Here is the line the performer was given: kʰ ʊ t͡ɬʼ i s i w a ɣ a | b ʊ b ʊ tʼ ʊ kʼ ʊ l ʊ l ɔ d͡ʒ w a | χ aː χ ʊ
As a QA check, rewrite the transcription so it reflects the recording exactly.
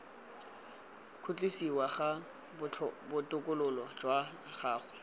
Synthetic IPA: kʰ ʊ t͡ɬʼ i s i w a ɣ a | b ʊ b ʊ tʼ ʊ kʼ ʊ l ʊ l ɔ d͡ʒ w a | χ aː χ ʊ

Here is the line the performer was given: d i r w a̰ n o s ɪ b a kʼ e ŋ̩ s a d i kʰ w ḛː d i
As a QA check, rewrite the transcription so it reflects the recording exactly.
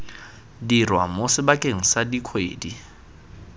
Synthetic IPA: d i r w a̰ m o s ɪ b a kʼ e ŋ̩ s a d i kʰ w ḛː d i

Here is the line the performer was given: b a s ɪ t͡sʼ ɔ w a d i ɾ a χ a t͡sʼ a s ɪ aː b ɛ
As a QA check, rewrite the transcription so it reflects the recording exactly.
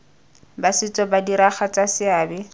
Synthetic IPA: b a s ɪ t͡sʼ ɔ b a d i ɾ a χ a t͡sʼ a s ɪ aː b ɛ

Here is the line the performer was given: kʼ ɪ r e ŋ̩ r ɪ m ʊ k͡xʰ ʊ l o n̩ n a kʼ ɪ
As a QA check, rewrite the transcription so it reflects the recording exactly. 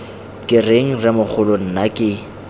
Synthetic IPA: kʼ ɪ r e ŋ̩ r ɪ m ʊ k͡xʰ ʊ l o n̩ n a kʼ ɪ

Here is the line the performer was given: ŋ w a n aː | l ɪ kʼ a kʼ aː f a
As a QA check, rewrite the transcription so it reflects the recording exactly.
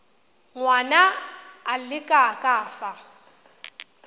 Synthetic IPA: ŋ w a n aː | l ɪ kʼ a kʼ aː f a

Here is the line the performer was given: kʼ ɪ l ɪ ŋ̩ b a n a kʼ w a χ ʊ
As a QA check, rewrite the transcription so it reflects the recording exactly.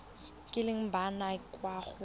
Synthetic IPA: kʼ ɪ l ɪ ŋ̩ b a n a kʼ w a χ ʊ

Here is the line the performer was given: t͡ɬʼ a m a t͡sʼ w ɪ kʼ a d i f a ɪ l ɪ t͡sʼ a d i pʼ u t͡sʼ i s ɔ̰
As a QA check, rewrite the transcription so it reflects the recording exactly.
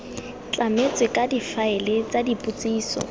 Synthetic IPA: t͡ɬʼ a m e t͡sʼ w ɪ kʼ a d i f a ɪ l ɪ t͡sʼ a d i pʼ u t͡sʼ iː s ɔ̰

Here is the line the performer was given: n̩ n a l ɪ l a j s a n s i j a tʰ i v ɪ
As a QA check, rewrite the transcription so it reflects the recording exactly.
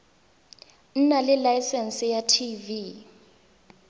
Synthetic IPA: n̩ n a l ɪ l a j s ɛ n s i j a tʰ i v i

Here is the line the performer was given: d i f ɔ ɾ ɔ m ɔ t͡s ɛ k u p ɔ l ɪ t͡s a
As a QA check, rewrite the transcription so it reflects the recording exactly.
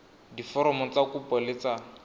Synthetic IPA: d i f ɔ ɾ ɔ m ɔ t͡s a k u p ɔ l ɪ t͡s a

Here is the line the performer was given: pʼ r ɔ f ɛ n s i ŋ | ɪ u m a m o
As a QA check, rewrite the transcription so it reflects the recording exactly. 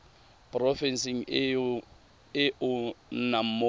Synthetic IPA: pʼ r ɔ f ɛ n s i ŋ | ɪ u n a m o

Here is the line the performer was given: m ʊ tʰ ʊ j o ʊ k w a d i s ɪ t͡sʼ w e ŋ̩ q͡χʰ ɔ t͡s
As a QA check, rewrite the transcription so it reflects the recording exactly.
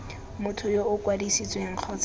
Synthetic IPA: m ʊ tʰ ʊ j o ʊ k w a d i s i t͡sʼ w e ŋ̩ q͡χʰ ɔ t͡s

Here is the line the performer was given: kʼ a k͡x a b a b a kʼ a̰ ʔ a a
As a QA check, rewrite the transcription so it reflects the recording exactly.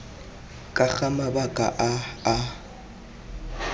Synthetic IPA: kʼ a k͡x a m a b a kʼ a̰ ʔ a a

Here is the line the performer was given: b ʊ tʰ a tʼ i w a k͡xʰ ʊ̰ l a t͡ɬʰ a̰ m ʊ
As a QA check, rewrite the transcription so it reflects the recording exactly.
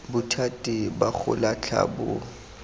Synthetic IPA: b ʊ tʰ a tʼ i b a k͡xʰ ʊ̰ l a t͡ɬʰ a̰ b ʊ

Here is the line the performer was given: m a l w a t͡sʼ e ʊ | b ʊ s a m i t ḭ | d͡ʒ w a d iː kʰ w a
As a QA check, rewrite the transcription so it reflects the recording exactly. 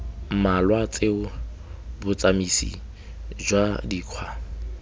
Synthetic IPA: m a l w a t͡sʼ e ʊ | b ʊ t͡s a m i s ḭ | d͡ʒ w a d iː kʰ w a

